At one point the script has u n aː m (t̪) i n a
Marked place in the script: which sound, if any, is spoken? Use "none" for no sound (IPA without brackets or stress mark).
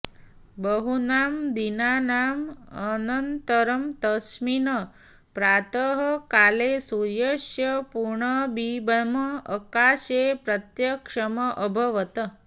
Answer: d̪